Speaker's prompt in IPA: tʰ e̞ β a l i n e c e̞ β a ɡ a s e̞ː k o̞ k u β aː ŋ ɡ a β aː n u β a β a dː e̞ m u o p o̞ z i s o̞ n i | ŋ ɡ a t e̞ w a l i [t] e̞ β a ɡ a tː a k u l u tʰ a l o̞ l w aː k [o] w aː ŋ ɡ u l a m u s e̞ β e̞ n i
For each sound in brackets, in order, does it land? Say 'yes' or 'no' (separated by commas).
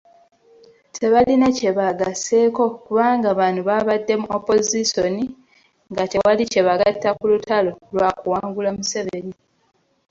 no, no